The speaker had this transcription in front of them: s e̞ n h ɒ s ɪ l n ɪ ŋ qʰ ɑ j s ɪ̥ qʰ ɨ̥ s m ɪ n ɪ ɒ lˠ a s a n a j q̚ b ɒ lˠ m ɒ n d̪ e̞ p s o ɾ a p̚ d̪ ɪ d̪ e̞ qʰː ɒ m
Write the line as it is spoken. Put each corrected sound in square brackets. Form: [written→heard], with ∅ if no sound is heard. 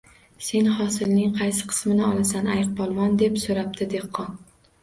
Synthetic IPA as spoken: s e̞ n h ɒ s ɪ l n ɪ ŋ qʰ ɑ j s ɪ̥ qʰ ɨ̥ s m ɪ n ɪ ɒ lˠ a s a n a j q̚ b ɒ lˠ m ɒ n d̪ e̞ p s o ɾ a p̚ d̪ ɪ d̪ e̞ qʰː ɒ [m→n]